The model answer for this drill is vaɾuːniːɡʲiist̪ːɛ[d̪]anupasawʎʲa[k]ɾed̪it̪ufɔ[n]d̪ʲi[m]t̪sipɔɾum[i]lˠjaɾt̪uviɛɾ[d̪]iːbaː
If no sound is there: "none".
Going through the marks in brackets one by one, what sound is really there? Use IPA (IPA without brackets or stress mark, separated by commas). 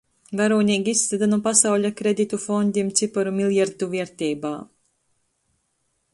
d̪, k, n, m, i, t̪